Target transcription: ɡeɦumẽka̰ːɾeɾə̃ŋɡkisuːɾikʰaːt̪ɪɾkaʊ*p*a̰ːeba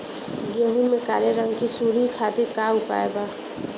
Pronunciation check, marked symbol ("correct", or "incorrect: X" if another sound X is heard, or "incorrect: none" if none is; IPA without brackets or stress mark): correct